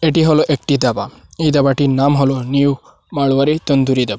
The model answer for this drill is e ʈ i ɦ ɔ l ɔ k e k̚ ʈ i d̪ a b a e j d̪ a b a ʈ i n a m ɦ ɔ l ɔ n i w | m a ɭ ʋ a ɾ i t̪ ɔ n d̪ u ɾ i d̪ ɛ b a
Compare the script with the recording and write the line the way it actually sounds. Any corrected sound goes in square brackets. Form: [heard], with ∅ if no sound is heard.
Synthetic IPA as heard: e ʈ i ɦ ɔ l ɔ [ʔ] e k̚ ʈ i d̪ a b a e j d̪ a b a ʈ i n a m ɦ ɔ l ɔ n i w | m a ɭ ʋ a ɾ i t̪ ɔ n d̪ u ɾ i d̪ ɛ b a